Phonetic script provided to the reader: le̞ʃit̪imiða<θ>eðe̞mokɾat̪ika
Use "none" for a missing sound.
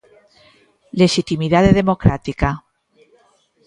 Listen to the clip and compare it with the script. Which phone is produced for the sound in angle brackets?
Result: ð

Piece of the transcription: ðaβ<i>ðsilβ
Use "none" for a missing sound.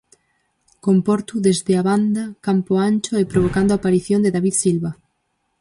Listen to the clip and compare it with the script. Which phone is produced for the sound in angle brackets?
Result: i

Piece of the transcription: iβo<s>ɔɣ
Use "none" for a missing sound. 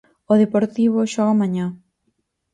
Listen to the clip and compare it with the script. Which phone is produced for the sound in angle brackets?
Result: ʃ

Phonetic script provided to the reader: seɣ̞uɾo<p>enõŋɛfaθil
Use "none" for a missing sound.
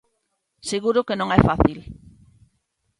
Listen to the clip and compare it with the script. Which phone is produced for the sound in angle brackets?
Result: k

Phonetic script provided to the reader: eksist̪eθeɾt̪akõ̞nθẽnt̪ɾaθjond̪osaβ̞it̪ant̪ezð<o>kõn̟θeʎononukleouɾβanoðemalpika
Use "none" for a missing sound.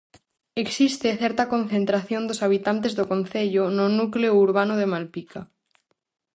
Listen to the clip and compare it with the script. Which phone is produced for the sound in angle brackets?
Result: o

